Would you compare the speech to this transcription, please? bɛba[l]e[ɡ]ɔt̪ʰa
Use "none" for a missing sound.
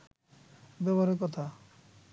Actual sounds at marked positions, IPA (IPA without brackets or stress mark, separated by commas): ɾ, k